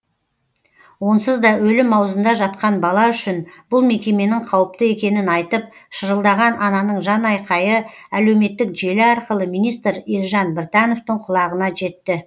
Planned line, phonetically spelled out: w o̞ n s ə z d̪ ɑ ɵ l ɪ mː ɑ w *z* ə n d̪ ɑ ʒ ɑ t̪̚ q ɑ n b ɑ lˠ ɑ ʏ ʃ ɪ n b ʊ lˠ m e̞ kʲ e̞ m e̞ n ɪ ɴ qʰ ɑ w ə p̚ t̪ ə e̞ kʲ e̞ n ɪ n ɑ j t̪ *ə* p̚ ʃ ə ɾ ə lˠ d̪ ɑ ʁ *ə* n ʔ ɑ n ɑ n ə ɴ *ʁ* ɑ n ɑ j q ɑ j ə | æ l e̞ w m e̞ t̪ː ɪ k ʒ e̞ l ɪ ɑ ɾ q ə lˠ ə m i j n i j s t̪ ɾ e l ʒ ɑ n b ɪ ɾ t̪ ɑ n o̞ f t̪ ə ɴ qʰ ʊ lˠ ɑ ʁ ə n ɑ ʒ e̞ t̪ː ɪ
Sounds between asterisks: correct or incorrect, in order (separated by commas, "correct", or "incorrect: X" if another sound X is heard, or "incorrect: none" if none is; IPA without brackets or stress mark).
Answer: correct, correct, incorrect: ɑ, incorrect: ʒ